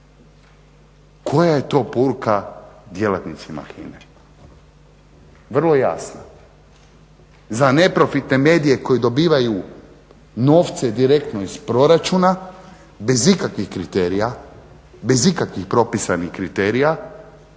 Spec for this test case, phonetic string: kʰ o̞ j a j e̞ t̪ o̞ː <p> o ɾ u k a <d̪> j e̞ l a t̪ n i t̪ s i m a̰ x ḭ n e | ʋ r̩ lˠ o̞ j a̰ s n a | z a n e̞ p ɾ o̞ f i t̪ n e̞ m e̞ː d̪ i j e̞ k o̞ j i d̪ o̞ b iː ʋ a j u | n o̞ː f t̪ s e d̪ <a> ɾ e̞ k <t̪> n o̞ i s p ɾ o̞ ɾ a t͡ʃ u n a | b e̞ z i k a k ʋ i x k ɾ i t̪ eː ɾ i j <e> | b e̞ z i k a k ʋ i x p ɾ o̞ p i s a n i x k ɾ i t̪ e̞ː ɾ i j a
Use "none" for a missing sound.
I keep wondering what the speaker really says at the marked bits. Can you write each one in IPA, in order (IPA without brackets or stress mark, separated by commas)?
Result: p, d̪, i, t̪, a